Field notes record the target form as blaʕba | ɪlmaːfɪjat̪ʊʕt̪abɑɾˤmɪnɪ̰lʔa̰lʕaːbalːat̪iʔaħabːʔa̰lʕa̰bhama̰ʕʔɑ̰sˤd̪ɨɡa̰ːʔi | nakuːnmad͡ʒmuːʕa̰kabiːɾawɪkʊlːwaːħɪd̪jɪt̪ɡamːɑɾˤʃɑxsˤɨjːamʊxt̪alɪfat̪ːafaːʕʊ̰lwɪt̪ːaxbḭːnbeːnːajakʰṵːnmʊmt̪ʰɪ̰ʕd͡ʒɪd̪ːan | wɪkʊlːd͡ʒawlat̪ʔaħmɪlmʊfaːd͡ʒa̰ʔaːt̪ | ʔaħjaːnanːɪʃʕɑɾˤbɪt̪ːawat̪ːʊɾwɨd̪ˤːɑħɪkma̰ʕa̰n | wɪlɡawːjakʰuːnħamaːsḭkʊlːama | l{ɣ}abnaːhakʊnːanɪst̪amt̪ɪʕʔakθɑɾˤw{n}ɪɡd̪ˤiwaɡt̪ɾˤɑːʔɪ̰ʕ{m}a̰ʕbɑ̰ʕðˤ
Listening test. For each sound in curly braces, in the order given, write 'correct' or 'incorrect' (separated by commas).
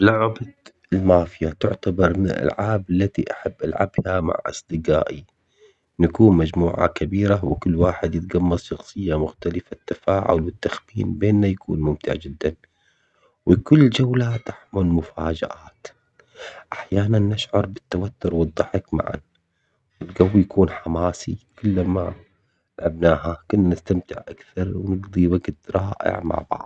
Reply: incorrect, correct, correct